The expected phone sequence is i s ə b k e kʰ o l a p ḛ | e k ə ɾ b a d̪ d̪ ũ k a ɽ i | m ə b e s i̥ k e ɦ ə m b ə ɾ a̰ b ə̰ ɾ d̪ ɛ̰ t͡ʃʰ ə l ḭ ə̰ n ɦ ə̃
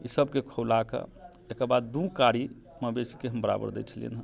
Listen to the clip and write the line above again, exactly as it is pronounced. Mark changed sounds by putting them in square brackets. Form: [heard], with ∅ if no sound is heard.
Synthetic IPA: i s ə b k e kʰ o l a [k] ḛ | e k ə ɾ b a d̪ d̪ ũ k a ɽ i | m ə b e s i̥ k e ɦ ə m b ə ɾ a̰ b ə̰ ɾ d̪ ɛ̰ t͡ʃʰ ə l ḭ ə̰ n ɦ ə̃